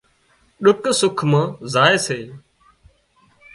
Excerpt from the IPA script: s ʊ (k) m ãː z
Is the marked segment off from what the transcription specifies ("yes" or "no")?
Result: yes